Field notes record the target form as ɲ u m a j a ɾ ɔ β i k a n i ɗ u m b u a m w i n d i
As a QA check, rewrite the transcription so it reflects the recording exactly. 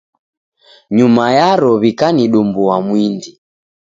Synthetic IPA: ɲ u m a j a ɾ ɔ β i k a n i ɗ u m b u a m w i n d i